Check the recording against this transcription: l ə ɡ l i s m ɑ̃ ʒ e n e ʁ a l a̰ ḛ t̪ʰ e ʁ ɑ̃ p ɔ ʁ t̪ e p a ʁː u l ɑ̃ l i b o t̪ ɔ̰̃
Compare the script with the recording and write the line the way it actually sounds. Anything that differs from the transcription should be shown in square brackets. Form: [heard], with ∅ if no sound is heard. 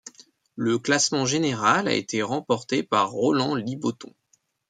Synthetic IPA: l ə [k] l [a] s m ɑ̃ ʒ e n e ʁ a l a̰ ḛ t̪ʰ e ʁ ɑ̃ p ɔ ʁ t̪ e p a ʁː [ɔ] l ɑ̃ l i b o t̪ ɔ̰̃